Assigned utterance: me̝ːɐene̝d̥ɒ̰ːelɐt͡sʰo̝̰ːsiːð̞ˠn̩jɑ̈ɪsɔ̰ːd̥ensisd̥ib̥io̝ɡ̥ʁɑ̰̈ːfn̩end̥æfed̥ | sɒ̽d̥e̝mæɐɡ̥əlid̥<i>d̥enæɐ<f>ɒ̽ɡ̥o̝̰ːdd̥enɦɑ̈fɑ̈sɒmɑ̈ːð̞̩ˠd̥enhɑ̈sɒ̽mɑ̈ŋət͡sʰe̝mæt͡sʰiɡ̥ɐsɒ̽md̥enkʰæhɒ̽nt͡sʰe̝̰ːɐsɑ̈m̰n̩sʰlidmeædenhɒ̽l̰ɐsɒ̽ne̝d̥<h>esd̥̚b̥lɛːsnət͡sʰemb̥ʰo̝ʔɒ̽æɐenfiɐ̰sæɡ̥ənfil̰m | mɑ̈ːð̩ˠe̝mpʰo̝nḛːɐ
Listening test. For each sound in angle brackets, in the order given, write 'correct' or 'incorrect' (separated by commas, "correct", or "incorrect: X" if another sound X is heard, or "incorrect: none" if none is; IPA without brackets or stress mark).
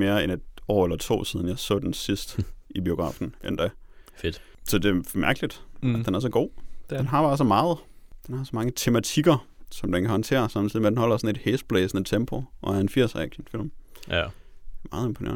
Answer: incorrect: æ, incorrect: s, correct